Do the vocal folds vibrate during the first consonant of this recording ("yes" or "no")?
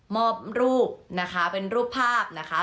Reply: yes